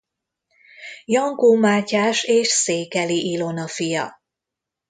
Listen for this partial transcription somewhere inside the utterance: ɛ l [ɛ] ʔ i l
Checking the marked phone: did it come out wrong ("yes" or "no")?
yes